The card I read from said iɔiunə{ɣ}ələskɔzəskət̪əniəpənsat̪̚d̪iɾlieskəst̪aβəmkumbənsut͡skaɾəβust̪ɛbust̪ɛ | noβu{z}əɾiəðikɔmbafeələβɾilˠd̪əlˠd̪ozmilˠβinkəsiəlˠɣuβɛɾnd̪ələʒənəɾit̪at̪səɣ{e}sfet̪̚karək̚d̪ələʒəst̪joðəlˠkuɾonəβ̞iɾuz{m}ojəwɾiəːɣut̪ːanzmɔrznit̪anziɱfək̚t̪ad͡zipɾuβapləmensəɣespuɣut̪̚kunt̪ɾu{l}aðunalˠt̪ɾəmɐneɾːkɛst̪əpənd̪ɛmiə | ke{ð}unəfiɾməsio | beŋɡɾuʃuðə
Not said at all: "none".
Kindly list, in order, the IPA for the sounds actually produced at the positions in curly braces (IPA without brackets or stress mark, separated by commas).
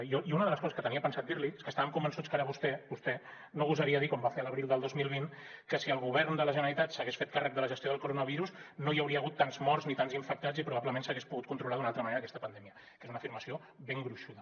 ð, z, e, n, l, z